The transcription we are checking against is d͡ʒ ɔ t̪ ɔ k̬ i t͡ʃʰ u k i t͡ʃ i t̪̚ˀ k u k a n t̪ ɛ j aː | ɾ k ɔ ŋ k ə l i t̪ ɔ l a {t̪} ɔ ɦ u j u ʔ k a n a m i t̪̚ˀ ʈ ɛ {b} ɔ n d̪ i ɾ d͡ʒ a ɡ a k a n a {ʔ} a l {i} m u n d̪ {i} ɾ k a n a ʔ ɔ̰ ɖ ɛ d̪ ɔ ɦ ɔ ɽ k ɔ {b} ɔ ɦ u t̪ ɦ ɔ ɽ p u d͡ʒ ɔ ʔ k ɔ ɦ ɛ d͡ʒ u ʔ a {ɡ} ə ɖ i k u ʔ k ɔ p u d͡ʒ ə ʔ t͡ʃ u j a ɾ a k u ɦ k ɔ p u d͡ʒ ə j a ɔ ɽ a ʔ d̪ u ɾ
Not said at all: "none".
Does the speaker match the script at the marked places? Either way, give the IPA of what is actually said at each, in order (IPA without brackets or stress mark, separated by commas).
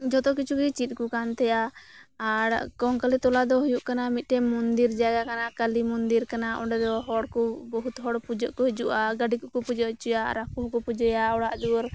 d̪, m, k, i, i, b, ɡ